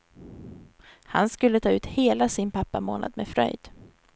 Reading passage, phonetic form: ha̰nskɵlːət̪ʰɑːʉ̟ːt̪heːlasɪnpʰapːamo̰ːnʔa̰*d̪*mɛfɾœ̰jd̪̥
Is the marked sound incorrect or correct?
correct